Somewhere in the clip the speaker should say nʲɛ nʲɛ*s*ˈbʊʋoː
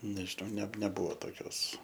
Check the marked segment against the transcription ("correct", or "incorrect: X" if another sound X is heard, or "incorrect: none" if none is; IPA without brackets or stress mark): incorrect: none